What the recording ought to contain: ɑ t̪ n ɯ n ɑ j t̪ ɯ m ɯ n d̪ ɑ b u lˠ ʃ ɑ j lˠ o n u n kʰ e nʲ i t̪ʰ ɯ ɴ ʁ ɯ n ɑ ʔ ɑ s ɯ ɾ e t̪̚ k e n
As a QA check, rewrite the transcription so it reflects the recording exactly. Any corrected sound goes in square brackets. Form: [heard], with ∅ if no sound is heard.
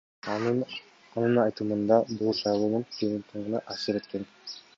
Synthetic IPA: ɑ [∅] n ɯ n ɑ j t̪ ɯ m ɯ n d̪ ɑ b u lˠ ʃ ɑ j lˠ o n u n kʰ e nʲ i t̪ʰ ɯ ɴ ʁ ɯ n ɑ ʔ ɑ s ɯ ɾ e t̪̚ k e n